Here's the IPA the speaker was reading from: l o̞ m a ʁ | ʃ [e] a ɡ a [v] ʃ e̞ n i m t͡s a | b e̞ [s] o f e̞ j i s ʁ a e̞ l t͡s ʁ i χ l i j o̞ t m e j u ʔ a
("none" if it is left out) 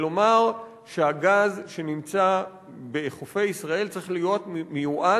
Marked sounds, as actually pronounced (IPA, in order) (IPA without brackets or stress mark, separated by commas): e, z, χ